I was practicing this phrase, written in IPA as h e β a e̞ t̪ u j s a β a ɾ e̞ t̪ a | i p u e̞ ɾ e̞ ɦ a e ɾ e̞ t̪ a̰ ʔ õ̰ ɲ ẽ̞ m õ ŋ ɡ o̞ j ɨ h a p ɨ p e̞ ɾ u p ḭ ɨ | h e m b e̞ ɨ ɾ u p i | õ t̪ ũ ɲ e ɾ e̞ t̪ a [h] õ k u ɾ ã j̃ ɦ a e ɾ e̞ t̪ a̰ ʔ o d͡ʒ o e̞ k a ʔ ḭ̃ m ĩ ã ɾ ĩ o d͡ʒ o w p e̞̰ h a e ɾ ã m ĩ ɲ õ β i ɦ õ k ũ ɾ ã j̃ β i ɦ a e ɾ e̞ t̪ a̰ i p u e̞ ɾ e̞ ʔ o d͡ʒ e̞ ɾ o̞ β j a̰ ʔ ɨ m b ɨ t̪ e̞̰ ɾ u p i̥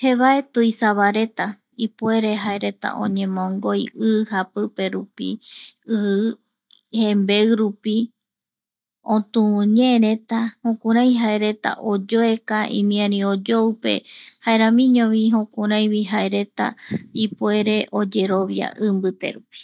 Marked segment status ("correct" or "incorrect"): correct